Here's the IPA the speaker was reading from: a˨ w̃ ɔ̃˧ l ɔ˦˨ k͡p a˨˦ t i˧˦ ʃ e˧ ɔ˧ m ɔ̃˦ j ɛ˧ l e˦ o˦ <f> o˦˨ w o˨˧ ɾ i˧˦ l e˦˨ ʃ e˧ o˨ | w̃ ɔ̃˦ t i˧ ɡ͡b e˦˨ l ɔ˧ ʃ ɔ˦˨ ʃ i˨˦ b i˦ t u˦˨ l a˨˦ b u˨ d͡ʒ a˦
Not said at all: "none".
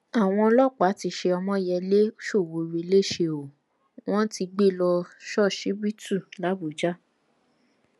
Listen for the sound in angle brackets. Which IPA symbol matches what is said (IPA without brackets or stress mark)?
ʃ